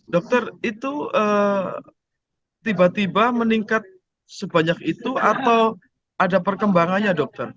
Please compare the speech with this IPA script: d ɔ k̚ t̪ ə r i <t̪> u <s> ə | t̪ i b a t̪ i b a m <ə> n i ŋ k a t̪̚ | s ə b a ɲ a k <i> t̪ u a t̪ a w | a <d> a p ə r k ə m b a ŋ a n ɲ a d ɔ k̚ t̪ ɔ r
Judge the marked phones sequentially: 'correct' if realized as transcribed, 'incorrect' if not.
correct, incorrect, correct, correct, correct

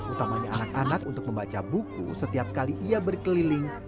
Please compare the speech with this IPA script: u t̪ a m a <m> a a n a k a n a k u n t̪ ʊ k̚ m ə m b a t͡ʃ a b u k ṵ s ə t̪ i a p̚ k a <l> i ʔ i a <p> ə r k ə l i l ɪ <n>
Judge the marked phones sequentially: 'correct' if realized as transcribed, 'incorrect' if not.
incorrect, correct, incorrect, incorrect

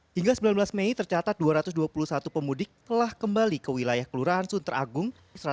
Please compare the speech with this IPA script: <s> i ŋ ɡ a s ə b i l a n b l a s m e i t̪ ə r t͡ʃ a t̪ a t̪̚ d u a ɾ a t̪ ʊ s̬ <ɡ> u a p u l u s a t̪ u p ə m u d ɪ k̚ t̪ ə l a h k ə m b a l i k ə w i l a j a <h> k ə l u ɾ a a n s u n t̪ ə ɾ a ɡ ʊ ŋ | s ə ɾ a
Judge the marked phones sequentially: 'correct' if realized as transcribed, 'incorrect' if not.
incorrect, incorrect, correct

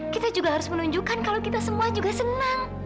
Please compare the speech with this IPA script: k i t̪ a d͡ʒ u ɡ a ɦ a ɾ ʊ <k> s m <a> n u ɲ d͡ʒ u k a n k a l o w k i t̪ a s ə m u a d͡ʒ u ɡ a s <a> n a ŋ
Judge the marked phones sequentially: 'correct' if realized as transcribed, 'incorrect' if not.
incorrect, incorrect, incorrect

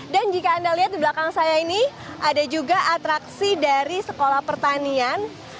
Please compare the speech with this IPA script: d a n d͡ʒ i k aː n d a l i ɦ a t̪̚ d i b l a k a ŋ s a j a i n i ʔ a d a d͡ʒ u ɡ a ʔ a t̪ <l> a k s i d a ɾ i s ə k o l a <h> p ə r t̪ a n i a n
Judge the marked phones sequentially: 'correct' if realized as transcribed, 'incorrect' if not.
incorrect, correct

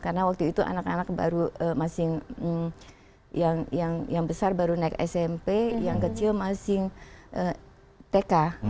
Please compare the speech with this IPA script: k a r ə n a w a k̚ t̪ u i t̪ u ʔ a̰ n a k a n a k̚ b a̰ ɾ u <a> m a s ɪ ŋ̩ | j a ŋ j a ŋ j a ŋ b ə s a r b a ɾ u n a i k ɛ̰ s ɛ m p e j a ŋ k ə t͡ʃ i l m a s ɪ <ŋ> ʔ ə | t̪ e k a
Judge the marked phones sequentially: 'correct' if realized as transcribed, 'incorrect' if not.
incorrect, correct

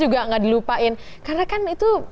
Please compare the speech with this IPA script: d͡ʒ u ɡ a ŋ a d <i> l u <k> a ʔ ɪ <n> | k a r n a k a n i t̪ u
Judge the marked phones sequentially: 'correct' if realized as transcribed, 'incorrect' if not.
correct, incorrect, correct

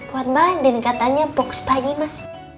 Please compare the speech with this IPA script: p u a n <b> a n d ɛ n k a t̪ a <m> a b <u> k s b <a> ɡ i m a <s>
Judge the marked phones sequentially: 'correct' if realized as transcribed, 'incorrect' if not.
correct, incorrect, incorrect, correct, correct

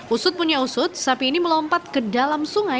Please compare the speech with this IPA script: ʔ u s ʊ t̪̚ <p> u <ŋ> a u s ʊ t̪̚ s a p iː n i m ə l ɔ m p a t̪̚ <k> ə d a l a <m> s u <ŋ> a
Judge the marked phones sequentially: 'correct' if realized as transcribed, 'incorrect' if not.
correct, incorrect, correct, correct, correct

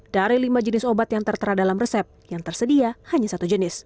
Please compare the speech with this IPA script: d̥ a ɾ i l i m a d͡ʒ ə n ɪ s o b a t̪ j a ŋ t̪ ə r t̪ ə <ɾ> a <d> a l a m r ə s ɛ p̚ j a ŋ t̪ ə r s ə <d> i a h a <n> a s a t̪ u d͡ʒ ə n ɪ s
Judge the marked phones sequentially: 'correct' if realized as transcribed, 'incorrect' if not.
correct, correct, correct, incorrect

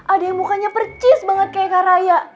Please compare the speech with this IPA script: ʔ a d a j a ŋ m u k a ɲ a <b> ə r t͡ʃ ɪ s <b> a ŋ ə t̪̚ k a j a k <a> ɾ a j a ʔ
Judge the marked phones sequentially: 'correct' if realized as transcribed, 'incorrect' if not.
incorrect, correct, correct

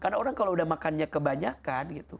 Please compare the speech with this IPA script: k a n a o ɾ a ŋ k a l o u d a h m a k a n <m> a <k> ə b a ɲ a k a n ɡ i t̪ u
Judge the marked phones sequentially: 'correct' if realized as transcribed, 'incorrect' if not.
incorrect, correct

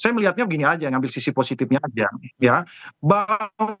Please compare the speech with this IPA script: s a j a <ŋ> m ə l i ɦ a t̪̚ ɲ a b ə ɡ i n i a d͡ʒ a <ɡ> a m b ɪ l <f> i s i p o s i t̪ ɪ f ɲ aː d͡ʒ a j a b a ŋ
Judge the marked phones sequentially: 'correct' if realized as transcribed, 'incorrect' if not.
incorrect, incorrect, incorrect

